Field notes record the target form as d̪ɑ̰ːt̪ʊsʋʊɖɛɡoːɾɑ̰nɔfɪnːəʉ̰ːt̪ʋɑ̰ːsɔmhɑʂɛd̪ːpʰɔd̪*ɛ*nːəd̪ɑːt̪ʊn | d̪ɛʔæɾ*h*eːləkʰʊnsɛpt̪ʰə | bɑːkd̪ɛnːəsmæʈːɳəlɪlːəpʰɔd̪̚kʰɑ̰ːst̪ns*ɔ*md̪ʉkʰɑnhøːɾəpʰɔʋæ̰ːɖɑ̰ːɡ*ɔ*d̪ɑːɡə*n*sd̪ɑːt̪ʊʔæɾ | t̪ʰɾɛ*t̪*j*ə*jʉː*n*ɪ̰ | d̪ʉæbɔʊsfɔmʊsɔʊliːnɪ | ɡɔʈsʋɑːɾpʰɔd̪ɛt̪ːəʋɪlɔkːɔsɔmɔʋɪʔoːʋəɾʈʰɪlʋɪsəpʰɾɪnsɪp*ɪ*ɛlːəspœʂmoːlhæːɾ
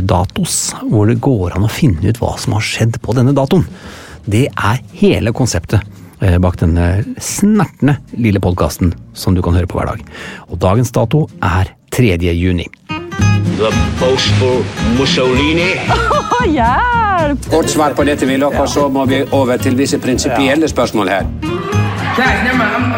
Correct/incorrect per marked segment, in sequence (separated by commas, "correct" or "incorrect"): correct, correct, correct, correct, correct, incorrect, correct, correct, correct